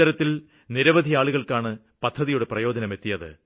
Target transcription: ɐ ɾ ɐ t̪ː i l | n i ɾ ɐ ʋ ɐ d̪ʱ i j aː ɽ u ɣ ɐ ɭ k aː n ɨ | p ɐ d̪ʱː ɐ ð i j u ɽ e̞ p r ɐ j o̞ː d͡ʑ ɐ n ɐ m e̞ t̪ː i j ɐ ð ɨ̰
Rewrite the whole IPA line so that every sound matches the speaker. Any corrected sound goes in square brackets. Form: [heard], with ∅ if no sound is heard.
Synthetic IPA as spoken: ɐ ɾ ɐ t̪ː i l | n i ɾ ɐ ʋ ɐ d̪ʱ i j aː [ɭ] u ɣ ɐ ɭ k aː [ɳ] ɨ | p ɐ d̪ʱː ɐ ð i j u ɽ e̞ p r ɐ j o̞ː d͡ʑ ɐ n ɐ m e̞ t̪ː i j ɐ ð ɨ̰